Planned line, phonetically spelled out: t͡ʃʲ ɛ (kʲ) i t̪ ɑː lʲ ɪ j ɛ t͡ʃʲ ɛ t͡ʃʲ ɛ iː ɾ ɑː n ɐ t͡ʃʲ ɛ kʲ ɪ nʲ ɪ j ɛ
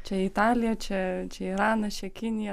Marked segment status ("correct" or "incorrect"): incorrect